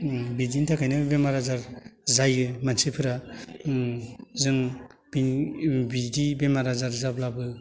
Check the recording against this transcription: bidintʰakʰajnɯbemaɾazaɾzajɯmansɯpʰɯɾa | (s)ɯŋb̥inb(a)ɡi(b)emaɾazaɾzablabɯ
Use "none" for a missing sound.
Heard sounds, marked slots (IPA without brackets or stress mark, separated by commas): z, i, b